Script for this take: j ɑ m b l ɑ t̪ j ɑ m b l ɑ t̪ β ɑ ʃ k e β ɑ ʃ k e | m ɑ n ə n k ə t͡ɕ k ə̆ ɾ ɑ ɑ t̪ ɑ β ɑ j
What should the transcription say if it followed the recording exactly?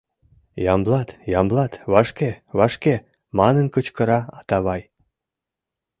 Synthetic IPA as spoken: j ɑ m b l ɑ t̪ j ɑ m b l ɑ t̪ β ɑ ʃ k e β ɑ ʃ k e | m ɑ n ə n k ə t͡ɕ k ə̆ ɾ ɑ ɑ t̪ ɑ β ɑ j